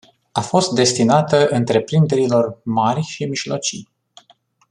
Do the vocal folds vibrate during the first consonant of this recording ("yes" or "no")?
no